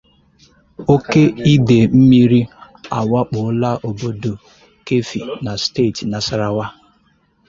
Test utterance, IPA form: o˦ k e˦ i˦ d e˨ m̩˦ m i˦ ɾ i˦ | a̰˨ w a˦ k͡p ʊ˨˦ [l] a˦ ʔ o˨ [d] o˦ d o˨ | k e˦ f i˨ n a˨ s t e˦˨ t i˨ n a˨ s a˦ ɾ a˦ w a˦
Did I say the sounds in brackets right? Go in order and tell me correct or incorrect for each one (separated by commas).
correct, incorrect